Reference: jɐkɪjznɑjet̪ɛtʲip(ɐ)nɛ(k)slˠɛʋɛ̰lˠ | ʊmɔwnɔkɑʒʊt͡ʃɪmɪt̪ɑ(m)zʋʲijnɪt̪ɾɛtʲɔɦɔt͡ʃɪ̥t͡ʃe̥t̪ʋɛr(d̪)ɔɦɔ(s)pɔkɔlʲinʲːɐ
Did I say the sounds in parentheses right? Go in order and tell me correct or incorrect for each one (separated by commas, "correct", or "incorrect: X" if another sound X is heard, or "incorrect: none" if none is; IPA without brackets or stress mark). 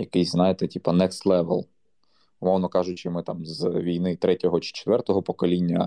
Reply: correct, correct, correct, incorrect: t̪, incorrect: none